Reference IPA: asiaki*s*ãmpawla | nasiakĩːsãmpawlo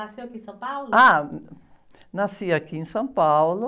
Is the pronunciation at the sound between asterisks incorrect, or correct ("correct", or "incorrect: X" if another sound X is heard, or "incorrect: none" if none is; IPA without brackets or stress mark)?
correct